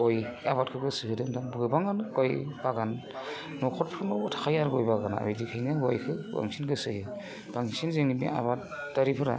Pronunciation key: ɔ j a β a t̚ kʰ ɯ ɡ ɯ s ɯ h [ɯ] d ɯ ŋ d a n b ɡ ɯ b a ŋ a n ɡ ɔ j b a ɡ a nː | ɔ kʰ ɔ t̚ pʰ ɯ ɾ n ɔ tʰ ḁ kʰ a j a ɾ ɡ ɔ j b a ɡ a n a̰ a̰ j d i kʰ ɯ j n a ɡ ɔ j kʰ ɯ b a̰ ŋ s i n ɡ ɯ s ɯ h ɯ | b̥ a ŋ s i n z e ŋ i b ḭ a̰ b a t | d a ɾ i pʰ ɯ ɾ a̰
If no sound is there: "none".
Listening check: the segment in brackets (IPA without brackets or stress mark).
ɯ